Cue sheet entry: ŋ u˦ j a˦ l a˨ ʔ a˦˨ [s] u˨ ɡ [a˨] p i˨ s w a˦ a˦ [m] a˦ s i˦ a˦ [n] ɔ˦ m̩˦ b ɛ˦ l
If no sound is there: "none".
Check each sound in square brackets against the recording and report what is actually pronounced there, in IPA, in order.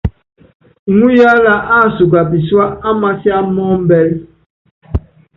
s, a˨, m, m

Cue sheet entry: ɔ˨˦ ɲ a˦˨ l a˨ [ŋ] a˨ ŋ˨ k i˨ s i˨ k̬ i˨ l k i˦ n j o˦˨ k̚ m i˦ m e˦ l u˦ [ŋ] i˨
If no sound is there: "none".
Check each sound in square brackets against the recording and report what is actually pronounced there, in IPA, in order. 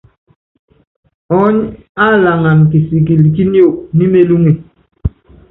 ŋ, ŋ

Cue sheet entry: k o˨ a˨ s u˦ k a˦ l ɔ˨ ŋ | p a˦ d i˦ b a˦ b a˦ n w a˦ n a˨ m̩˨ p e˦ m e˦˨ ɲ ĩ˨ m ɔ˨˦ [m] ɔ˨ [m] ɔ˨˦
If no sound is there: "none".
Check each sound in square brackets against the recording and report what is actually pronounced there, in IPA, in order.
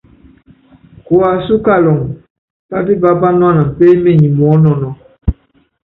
n, n

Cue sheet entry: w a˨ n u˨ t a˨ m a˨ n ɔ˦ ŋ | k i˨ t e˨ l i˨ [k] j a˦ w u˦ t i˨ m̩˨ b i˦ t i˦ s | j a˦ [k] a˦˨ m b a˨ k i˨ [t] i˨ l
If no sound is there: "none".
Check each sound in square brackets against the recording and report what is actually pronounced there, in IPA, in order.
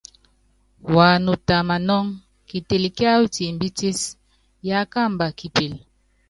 k, k, p

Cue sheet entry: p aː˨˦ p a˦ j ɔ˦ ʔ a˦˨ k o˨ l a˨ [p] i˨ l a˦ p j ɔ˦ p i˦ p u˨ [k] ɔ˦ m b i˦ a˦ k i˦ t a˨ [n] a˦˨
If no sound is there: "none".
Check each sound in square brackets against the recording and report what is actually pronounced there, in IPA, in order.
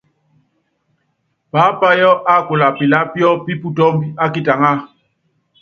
p, t, ŋ

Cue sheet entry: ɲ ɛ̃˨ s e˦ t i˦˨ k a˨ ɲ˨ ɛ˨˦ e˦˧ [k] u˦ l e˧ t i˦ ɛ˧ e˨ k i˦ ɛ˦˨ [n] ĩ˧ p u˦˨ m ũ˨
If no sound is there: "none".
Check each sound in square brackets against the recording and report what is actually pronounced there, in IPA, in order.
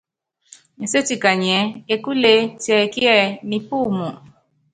k, n

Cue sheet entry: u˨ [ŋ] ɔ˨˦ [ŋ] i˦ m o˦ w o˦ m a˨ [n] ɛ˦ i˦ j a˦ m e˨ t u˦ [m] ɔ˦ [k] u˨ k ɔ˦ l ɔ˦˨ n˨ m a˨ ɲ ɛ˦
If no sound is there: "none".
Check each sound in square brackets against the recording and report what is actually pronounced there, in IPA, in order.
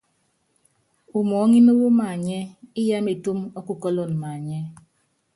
m, ŋ, ɲ, m, k

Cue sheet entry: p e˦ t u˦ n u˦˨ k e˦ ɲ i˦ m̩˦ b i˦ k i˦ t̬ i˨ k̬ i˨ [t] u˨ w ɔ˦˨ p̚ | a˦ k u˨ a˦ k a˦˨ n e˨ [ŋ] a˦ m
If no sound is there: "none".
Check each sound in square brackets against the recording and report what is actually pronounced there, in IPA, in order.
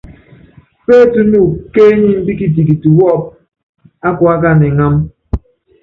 t, ŋ

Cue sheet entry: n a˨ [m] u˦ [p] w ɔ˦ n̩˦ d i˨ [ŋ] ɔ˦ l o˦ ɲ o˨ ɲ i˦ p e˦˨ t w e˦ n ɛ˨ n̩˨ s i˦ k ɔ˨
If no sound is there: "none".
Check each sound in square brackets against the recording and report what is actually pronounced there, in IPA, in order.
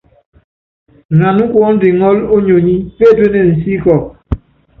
n, k, ŋ

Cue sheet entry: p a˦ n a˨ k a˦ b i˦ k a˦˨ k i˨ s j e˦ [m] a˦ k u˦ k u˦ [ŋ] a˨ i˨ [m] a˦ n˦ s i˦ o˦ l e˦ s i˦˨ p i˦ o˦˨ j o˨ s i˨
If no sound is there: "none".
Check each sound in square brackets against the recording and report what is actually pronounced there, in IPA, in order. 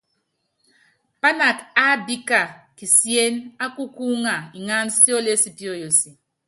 n, ŋ, ŋ

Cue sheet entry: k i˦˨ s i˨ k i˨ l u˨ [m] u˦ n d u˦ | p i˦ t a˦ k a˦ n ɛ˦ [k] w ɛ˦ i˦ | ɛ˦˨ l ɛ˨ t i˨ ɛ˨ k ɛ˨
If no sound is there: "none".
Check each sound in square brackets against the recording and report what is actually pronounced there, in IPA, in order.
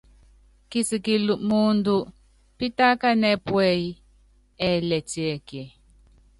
m, p

